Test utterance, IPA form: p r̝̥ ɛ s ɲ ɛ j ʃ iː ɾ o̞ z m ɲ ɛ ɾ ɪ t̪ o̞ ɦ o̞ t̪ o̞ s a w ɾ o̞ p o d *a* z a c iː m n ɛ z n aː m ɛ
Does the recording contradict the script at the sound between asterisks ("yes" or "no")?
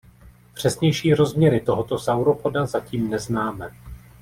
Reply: no